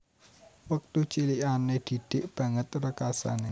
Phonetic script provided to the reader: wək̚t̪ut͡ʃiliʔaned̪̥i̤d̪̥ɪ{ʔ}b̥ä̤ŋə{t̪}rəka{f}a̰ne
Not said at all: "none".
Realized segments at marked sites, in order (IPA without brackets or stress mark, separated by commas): ʔ, t̪, s